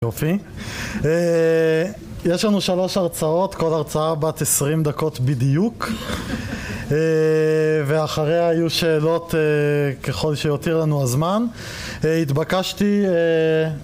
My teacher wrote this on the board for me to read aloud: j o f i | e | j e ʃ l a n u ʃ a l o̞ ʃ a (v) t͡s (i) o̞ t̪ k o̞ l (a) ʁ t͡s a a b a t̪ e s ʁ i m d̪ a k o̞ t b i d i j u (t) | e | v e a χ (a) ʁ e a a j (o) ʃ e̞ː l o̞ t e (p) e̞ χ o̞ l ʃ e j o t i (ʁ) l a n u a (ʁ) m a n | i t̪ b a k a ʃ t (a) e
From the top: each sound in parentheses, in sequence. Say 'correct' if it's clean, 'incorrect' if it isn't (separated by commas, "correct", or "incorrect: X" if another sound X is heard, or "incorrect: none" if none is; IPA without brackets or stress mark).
incorrect: ʁ, incorrect: a, correct, incorrect: k, correct, incorrect: u, incorrect: k, correct, incorrect: z, incorrect: i